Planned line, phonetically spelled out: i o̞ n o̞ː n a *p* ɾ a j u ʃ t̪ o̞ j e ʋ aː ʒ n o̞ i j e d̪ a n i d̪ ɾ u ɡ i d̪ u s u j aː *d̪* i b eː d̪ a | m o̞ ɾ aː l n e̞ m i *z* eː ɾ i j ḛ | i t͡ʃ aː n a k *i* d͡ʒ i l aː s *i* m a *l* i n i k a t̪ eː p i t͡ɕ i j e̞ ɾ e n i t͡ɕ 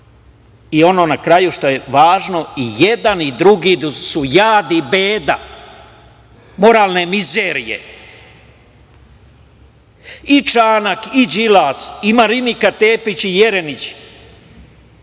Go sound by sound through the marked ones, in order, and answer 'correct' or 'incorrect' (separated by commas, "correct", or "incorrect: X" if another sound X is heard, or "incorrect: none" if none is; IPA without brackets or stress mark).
incorrect: k, correct, correct, correct, correct, incorrect: ɾ